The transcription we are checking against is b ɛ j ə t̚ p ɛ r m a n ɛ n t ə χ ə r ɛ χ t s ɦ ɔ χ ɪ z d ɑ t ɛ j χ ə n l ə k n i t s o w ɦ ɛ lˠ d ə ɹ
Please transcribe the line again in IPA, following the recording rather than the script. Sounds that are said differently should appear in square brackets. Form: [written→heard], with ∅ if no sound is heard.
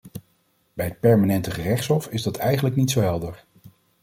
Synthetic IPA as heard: b ɛ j ə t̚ p ɛ [r→ɹ] m a n ɛ n t ə χ ə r ɛ χ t s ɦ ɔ [χ→f] ɪ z d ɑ t ɛ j χ ə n l ə k n i t s o w ɦ ɛ lˠ d ə ɹ